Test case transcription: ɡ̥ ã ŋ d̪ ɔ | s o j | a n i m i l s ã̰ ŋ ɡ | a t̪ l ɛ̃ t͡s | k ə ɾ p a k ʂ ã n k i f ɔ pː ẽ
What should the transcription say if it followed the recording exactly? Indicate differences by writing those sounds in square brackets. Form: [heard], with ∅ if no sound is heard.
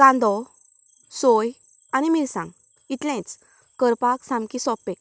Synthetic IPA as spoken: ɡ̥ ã [n] d̪ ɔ | s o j | a n i m i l s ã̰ ŋ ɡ | [i] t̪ l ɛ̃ t͡s | k ə ɾ p a k [s] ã [m] k i [s] ɔ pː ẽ